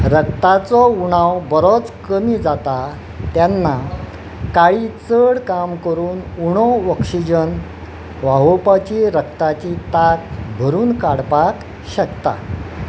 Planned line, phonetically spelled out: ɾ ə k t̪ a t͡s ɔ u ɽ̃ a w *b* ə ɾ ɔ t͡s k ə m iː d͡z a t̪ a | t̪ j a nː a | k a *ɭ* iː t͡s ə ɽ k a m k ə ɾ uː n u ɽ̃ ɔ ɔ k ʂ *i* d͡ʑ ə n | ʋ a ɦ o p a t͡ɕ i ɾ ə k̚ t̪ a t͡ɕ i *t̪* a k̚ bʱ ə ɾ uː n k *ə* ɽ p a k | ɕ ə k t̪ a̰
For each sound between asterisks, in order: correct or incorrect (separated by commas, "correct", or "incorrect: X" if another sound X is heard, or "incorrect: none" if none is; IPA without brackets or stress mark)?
correct, correct, correct, correct, incorrect: a